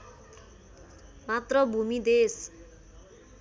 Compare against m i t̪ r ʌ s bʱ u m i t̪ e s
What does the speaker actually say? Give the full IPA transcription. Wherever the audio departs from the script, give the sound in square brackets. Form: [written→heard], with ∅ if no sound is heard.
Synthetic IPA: m [i→a] t̪ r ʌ [s→∅] bʱ u m i [t̪→d̪] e s